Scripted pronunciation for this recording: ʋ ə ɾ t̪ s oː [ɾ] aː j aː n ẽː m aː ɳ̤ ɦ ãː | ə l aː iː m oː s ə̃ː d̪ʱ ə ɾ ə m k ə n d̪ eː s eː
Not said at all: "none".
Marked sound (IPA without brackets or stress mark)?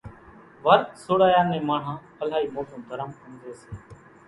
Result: ɽ